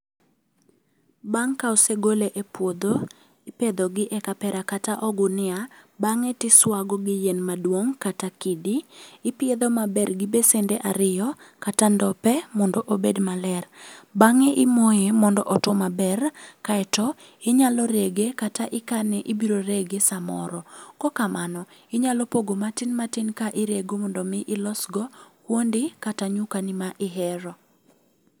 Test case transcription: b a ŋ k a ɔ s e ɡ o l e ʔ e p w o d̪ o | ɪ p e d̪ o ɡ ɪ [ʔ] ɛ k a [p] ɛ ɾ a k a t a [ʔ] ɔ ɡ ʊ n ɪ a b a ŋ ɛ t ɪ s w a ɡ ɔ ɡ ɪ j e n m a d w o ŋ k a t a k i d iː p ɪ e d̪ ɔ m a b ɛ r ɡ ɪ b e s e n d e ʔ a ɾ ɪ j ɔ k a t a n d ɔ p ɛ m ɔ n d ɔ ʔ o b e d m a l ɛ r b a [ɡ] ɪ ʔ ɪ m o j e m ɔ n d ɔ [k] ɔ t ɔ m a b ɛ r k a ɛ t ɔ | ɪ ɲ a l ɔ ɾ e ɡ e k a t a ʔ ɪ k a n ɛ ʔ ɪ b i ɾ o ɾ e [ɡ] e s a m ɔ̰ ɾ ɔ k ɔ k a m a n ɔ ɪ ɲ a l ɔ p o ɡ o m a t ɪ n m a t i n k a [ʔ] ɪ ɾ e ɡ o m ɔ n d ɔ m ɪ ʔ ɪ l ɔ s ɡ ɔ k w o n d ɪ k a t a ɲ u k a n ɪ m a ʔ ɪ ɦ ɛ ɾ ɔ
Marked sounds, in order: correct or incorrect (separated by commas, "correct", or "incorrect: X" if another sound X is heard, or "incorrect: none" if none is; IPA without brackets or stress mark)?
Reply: correct, correct, correct, incorrect: ŋ, incorrect: ʔ, correct, correct